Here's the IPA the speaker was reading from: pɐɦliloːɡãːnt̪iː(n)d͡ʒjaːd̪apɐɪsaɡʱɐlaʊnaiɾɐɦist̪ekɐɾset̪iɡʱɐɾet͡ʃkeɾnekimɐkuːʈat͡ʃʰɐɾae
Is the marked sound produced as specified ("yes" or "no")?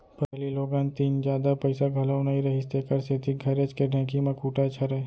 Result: yes